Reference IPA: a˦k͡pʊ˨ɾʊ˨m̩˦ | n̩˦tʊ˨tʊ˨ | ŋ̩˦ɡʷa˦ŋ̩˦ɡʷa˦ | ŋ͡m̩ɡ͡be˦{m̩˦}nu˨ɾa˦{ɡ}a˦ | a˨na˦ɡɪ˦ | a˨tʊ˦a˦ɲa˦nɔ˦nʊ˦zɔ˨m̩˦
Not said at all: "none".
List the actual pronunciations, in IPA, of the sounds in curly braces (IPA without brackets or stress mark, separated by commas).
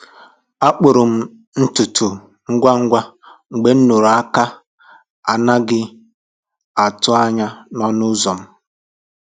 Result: n̩˦, k